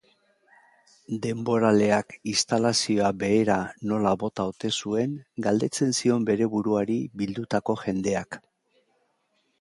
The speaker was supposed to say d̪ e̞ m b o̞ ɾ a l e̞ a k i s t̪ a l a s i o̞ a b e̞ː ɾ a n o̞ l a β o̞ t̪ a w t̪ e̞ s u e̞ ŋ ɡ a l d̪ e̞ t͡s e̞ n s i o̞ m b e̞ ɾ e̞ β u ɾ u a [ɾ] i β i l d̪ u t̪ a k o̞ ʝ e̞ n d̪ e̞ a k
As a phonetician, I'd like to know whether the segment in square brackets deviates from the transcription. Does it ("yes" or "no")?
no